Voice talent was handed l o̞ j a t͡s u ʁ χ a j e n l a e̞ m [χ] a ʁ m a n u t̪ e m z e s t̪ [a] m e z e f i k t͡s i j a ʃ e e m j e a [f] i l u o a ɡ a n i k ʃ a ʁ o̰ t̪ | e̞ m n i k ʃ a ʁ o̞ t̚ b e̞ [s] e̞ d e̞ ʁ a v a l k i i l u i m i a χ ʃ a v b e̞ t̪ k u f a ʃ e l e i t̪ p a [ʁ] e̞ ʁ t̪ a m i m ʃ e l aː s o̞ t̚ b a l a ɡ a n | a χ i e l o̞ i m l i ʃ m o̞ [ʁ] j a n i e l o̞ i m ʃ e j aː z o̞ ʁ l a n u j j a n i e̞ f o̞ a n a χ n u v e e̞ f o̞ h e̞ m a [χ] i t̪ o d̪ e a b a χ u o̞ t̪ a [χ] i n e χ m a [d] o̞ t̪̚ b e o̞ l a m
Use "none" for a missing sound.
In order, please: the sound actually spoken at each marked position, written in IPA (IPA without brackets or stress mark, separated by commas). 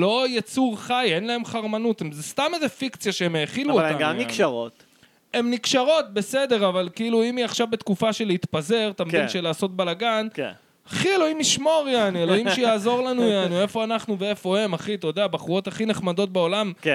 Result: χ, a, χ, s, z, ʁ, χ, χ, d